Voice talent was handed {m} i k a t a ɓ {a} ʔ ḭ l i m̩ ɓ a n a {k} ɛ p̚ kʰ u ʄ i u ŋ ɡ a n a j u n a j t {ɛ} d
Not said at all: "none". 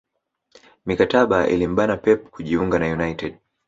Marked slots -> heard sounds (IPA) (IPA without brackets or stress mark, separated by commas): m, a, p, ɛ